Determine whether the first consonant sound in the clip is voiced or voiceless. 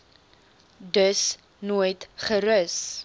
voiced